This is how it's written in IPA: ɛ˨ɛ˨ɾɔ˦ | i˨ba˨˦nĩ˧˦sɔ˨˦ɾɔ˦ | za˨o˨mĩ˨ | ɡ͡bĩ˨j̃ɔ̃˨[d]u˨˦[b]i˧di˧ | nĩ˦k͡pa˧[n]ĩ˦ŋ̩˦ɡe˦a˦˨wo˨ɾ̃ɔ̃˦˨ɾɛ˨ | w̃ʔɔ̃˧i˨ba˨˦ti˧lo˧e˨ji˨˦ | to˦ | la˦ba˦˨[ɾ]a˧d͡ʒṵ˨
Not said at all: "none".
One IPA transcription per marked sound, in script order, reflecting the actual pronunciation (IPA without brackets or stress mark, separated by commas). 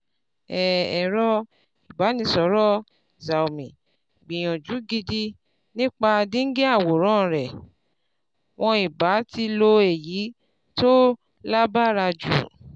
d͡ʒ, ɡ, d, ɾ